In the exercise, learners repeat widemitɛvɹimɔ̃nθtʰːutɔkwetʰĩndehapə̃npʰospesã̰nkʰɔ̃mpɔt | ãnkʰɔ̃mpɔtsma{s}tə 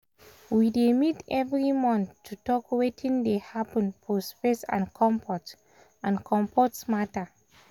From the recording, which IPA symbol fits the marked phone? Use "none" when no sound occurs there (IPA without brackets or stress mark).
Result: none